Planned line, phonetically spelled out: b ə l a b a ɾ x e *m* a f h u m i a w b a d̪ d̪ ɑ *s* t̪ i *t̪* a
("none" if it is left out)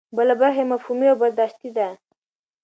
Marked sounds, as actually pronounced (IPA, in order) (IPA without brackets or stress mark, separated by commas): m, ʃ, d̪